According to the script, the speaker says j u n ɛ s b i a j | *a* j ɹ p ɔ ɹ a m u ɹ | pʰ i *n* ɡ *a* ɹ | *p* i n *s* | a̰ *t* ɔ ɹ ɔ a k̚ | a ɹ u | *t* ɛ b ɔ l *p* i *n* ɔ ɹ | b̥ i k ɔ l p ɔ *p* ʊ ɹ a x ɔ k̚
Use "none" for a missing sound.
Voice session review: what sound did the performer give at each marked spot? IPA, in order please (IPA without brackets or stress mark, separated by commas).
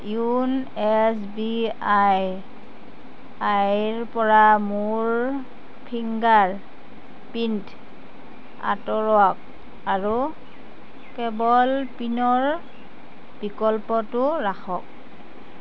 a, ŋ, a, p, t, t, k, p, n, t